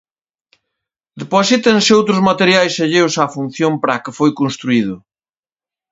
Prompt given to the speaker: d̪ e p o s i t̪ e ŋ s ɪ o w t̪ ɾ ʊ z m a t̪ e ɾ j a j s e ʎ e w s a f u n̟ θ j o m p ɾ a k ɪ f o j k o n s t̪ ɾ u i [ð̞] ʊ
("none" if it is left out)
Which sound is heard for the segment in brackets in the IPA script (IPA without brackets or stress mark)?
ð̞